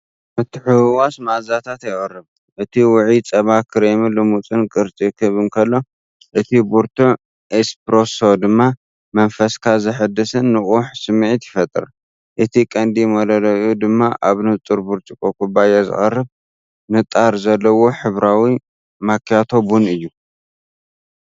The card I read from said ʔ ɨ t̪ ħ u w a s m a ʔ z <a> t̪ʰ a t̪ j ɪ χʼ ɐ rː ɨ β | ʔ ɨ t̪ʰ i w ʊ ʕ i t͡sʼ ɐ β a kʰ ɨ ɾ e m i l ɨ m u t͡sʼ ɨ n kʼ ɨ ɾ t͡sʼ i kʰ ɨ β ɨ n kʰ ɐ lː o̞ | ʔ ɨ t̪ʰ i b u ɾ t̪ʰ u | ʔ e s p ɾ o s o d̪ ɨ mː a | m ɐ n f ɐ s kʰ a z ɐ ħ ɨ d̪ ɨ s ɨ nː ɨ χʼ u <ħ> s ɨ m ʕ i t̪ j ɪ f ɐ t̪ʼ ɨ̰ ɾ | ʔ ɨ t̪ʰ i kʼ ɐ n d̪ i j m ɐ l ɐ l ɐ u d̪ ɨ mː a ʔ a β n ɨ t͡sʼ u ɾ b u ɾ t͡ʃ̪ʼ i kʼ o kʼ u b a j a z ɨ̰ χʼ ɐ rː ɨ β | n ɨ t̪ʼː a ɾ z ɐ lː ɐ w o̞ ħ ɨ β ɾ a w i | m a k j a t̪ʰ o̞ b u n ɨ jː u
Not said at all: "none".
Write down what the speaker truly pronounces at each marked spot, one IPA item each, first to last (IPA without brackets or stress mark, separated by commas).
a, ħ